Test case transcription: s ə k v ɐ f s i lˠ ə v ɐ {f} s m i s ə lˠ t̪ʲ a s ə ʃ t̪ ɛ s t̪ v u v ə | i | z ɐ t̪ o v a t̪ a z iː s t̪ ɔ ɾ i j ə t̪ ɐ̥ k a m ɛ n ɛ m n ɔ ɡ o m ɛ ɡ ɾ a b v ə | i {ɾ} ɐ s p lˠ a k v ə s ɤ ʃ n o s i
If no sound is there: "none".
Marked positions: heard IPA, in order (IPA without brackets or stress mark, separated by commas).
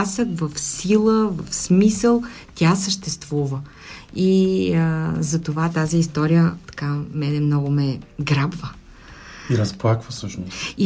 f, ɾ